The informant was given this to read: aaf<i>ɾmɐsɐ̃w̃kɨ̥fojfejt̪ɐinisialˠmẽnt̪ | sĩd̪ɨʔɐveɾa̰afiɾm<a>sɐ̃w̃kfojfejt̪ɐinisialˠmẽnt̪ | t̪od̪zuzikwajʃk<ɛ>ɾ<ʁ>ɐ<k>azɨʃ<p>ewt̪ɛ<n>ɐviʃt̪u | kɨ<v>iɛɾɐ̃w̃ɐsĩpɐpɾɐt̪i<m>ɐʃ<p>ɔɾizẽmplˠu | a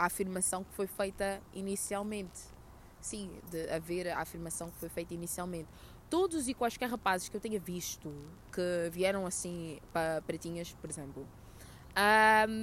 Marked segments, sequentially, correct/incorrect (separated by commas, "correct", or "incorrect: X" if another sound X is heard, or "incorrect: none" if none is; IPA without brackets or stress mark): correct, incorrect: ɐ, correct, correct, incorrect: p, incorrect: k, incorrect: ɲ, correct, incorrect: ɲ, correct